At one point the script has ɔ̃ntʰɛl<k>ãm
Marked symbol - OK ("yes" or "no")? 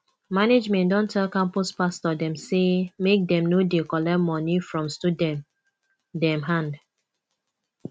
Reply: yes